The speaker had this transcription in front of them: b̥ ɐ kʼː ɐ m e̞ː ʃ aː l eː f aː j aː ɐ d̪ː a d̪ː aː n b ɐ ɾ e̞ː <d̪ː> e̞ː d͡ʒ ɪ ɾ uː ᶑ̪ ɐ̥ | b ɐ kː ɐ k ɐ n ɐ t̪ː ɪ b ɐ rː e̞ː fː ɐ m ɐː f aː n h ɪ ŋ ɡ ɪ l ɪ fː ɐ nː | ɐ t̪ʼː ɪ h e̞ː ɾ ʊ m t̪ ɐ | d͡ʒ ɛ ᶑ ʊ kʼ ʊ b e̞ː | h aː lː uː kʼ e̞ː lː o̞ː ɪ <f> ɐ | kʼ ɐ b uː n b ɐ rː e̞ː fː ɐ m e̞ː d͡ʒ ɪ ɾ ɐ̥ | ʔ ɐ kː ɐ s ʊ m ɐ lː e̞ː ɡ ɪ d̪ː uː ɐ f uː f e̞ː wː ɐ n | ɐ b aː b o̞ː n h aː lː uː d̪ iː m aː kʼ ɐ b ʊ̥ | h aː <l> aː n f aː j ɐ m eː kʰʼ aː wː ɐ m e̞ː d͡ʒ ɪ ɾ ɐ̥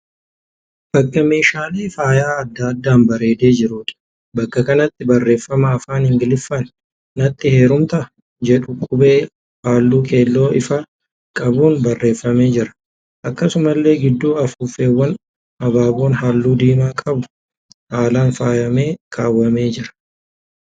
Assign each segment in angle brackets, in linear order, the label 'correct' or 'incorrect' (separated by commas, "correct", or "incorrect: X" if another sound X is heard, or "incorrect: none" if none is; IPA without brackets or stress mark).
incorrect: d̪, correct, correct